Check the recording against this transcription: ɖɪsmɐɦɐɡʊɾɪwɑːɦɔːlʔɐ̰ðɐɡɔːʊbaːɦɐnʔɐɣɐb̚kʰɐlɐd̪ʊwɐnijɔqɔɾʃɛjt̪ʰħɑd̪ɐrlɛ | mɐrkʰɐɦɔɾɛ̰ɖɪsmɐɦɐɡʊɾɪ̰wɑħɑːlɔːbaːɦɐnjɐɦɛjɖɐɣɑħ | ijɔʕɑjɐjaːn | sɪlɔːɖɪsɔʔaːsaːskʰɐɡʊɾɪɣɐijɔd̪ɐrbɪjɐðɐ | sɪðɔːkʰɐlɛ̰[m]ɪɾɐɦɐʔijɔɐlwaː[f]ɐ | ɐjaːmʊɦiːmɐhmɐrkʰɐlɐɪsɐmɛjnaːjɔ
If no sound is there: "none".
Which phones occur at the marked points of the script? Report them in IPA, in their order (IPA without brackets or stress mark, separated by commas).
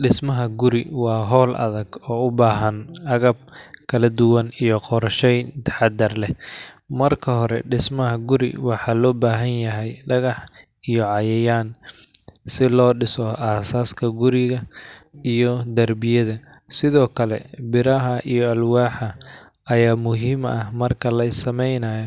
b, ħ